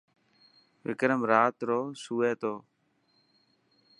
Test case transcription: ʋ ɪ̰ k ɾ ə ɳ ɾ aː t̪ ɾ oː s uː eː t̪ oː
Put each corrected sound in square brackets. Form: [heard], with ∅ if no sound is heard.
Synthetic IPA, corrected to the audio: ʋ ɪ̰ k ɾ ə [m] ɾ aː t̪ ɾ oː s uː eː t̪ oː